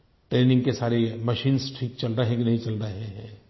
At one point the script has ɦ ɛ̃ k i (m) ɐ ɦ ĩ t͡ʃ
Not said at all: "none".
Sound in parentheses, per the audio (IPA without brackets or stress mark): n